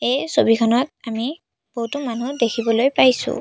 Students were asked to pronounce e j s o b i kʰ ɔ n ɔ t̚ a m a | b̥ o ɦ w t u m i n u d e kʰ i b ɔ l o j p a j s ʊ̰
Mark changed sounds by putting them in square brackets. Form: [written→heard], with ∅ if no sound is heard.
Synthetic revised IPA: e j s o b i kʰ ɔ n ɔ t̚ a m [a→i] | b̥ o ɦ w t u m [i→a] n u d e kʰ i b ɔ l o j p a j s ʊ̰